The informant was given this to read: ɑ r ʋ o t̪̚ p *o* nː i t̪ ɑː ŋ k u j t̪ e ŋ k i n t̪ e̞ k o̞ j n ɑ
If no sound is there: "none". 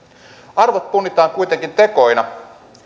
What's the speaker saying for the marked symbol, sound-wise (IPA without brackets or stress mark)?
u